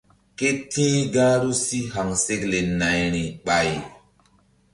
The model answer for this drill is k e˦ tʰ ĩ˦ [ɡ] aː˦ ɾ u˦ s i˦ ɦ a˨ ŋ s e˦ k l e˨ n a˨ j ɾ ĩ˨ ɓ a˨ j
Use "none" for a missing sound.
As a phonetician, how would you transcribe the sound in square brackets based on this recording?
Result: ɡ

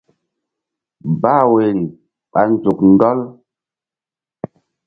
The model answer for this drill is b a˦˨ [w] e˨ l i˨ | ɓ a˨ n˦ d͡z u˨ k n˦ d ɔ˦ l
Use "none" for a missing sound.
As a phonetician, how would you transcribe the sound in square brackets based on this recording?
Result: w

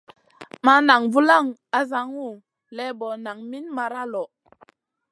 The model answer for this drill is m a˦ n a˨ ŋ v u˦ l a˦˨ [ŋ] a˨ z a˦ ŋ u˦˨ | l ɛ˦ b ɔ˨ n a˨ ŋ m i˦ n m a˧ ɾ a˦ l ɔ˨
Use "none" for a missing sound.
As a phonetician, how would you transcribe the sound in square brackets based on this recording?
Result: ŋ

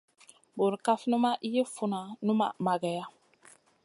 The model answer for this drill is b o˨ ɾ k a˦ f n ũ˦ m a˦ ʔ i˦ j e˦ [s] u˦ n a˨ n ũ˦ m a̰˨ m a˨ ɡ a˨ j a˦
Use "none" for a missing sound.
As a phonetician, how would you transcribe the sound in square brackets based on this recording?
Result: f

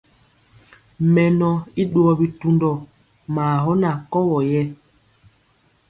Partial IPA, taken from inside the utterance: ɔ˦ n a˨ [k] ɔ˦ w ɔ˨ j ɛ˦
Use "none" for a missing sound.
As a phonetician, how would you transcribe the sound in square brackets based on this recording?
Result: k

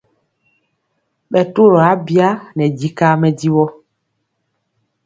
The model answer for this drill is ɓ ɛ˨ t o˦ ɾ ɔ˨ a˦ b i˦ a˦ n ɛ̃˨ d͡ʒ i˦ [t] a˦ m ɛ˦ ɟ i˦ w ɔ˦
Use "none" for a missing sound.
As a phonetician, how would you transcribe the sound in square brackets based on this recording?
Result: k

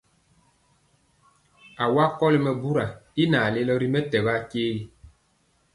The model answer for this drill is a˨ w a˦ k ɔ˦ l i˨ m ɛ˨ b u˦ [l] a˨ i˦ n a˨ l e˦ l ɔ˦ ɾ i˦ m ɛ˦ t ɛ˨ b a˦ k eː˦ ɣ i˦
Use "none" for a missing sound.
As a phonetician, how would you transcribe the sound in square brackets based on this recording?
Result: ɾ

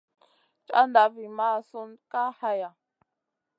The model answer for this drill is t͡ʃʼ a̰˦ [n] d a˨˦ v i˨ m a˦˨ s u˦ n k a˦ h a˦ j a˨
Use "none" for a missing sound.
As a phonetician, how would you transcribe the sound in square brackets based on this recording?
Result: n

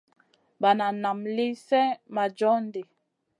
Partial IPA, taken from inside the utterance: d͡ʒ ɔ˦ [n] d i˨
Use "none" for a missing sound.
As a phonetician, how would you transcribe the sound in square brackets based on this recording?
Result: n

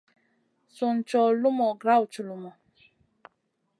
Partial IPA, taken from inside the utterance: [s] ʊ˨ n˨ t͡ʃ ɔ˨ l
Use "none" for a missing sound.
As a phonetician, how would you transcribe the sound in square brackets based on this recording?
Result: s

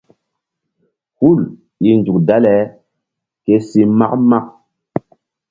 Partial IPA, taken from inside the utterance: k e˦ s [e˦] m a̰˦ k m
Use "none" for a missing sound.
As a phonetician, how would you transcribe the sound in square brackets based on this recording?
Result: i˦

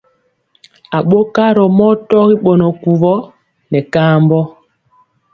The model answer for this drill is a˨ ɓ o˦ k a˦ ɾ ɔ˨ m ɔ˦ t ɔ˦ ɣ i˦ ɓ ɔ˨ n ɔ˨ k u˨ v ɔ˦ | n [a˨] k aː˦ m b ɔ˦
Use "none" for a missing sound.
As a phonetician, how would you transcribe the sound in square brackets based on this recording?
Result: ɛ˨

